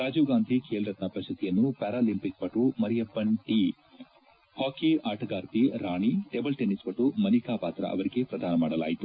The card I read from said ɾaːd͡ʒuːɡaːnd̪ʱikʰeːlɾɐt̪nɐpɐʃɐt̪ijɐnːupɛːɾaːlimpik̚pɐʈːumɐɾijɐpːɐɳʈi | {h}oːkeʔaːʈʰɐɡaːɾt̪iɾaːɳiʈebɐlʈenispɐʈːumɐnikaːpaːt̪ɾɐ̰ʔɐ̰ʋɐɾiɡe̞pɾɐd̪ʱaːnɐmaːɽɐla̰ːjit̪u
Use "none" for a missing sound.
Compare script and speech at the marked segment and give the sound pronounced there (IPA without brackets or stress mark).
h